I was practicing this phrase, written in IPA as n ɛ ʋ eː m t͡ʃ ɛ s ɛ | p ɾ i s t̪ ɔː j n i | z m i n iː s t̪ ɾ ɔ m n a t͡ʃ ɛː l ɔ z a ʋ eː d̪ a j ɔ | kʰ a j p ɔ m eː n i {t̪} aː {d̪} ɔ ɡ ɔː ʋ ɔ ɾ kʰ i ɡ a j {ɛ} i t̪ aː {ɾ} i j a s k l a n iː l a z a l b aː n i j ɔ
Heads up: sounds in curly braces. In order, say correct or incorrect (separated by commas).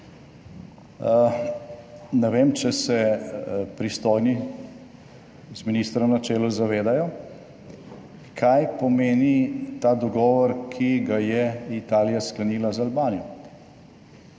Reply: correct, correct, correct, incorrect